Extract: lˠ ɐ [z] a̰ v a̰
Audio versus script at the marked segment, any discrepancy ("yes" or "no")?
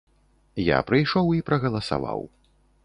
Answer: yes